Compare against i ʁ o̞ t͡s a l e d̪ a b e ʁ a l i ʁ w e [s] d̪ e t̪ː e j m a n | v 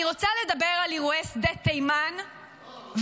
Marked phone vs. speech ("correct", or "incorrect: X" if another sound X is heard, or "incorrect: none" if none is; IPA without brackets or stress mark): correct